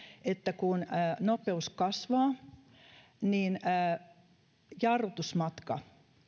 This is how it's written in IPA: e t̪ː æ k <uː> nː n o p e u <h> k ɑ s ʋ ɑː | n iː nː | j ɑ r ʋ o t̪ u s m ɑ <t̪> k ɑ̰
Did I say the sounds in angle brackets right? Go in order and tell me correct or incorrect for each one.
incorrect, incorrect, correct

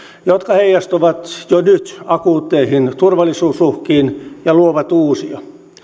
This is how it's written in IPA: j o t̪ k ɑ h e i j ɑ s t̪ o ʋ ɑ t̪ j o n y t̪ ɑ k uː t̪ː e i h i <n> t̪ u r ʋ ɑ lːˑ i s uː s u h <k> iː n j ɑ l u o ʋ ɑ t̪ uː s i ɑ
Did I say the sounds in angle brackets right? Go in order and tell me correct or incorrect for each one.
correct, correct

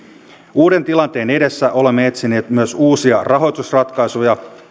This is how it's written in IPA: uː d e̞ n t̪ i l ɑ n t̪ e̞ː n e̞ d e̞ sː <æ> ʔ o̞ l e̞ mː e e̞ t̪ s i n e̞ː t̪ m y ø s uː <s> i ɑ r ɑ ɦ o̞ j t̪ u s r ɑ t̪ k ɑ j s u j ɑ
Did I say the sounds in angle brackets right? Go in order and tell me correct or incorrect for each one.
correct, correct

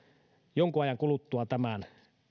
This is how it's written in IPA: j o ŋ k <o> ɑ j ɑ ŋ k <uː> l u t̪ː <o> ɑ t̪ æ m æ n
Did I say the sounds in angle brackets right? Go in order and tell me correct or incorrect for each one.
incorrect, incorrect, incorrect

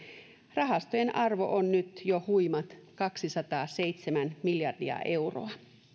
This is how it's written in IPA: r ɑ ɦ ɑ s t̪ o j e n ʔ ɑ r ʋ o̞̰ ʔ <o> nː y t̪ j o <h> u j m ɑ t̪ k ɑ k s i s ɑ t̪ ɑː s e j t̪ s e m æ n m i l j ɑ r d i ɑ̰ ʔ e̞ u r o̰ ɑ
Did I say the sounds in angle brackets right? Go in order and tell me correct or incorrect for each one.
correct, correct

